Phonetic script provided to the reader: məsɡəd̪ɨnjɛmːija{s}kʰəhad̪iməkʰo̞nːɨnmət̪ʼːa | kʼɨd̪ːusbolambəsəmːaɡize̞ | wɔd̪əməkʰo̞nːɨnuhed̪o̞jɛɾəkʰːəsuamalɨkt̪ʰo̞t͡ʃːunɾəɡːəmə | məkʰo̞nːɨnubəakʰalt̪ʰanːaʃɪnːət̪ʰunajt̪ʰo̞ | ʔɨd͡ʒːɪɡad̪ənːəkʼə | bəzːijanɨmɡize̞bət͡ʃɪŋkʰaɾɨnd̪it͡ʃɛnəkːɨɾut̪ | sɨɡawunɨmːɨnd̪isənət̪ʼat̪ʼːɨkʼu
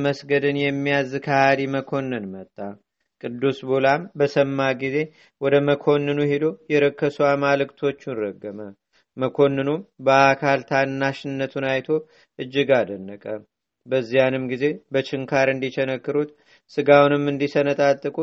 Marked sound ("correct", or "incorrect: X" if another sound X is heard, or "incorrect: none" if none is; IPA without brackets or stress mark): incorrect: z